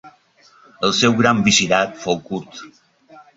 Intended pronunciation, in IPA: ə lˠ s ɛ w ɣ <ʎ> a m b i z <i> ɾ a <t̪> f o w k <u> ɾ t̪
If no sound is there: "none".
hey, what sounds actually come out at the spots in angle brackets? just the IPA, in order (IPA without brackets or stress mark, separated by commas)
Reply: ɾ, i, t̪, u